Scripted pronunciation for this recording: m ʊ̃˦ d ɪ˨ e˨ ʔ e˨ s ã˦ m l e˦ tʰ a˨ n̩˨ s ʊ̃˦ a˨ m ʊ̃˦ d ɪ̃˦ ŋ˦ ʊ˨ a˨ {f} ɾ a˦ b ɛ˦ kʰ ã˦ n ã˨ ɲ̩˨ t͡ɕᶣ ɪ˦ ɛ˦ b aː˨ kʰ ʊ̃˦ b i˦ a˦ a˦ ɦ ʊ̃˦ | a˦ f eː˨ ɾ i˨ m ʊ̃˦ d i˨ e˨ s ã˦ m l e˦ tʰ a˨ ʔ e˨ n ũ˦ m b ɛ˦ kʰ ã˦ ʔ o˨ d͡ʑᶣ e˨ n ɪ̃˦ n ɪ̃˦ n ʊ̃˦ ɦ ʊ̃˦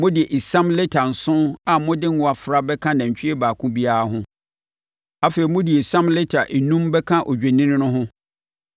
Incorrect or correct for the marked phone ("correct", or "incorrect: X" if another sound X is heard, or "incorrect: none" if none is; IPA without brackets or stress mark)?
correct